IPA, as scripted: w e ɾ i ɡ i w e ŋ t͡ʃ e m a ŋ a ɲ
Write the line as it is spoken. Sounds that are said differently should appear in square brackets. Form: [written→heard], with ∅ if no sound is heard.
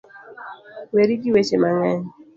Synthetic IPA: w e ɾ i ɡ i w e [ŋ→∅] t͡ʃ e m a ŋ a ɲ